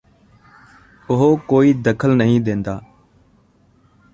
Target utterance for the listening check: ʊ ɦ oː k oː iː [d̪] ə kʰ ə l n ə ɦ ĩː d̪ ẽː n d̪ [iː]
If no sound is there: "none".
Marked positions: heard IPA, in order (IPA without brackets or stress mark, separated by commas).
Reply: d̪, aː